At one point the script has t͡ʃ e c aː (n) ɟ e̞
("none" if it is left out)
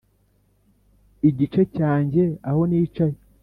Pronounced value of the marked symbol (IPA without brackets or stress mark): ɲ